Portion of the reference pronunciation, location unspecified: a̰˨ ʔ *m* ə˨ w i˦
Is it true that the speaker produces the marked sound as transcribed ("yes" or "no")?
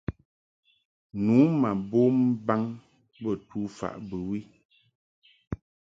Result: no